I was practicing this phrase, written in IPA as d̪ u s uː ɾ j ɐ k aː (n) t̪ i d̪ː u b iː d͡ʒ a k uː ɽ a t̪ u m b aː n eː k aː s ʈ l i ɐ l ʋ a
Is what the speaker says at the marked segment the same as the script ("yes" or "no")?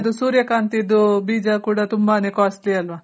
yes